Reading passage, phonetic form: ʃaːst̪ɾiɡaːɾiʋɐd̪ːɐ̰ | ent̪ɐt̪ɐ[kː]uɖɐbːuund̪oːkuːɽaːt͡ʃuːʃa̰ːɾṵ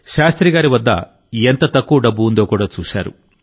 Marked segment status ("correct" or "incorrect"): correct